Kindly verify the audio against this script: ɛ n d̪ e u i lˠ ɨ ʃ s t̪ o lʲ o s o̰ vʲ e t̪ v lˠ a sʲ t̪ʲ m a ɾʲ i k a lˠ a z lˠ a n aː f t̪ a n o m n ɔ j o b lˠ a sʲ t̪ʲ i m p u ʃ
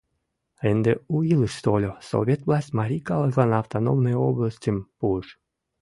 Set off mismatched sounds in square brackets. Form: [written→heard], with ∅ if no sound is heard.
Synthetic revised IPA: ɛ n d̪ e u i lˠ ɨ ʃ s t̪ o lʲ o s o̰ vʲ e t̪ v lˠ a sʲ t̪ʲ m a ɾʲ i k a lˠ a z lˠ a n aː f t̪ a n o m n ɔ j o b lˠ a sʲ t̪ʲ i m p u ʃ